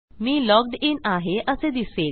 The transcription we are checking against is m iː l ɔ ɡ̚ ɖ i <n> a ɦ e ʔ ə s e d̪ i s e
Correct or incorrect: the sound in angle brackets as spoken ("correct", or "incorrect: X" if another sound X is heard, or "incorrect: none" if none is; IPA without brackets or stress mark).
correct